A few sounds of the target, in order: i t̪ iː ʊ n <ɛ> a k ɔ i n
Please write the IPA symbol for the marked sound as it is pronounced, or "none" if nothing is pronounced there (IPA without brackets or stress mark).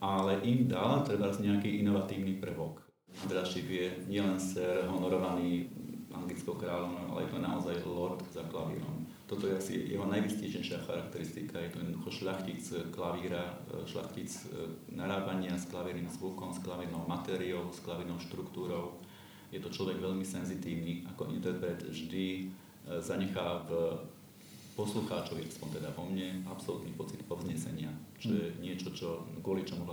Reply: i